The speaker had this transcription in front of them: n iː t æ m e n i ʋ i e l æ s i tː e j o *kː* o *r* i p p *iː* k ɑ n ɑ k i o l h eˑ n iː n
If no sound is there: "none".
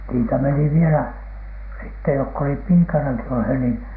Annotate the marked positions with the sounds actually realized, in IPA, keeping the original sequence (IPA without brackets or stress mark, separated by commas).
kː, l, iː